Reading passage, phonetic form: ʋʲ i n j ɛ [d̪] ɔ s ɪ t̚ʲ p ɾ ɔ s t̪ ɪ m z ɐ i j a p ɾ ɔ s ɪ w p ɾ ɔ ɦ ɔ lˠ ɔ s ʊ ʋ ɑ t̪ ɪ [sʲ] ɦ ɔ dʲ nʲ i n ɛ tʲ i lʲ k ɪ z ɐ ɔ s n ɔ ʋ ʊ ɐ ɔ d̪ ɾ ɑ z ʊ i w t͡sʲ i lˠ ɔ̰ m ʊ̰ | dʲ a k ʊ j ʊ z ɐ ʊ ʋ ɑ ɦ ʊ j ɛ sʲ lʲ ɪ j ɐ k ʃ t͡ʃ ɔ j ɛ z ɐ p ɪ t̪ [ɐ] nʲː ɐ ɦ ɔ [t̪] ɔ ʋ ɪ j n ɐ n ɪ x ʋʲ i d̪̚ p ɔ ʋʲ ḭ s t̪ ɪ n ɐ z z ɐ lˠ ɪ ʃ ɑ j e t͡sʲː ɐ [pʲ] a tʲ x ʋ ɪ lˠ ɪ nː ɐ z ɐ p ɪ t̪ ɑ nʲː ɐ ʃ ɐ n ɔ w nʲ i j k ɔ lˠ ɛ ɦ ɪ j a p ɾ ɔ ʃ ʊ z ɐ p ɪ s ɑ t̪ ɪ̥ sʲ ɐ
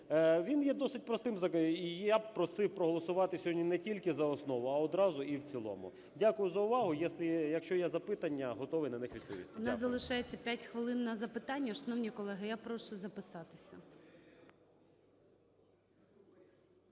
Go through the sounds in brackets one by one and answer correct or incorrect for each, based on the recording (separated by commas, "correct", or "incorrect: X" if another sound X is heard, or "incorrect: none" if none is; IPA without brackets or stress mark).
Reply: correct, correct, correct, correct, correct